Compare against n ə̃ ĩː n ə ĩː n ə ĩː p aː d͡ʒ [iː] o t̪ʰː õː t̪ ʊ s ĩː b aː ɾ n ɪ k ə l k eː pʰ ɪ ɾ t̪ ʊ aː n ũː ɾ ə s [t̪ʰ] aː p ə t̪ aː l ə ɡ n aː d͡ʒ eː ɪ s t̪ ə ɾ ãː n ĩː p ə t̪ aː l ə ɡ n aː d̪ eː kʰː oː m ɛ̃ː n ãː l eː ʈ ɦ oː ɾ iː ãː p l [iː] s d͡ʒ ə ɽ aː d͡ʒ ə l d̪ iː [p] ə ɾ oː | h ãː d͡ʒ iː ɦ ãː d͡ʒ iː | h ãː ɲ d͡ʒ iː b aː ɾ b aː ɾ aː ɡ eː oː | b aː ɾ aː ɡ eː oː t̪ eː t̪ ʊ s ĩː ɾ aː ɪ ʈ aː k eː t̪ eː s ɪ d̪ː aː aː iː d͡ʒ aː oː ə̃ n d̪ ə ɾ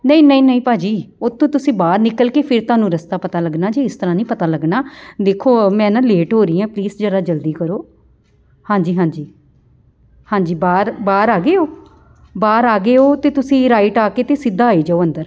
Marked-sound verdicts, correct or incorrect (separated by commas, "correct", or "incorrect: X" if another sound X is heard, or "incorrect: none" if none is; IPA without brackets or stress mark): correct, incorrect: t̪, correct, incorrect: k